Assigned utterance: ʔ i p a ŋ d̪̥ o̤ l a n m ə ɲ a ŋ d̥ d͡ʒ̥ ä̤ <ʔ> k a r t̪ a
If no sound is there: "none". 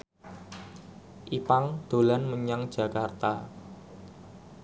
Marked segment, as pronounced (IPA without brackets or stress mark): none